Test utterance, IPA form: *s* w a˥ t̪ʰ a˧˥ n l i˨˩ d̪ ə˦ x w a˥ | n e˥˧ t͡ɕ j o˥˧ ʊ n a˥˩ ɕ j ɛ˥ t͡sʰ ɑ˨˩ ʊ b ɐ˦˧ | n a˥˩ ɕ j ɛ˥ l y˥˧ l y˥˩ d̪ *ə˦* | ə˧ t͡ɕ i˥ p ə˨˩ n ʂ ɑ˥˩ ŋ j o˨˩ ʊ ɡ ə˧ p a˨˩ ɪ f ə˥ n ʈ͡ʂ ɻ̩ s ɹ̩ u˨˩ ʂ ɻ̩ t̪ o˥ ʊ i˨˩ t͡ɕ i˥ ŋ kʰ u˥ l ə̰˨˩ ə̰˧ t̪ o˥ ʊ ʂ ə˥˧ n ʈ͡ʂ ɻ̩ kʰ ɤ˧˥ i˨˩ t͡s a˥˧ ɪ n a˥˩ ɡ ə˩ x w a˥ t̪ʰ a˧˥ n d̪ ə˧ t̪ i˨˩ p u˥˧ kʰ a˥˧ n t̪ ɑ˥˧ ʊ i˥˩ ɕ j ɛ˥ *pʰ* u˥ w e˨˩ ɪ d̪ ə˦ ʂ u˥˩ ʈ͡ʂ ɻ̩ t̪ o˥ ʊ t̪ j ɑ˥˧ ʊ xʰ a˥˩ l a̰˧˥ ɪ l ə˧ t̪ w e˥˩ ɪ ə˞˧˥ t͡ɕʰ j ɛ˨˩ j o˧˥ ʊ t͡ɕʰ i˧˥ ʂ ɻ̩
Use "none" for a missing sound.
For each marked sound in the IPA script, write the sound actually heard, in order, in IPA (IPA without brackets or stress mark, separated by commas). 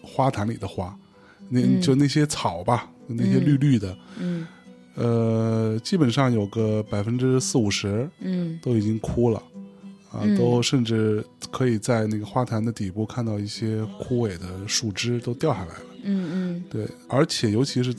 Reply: x, ə˩, kʰ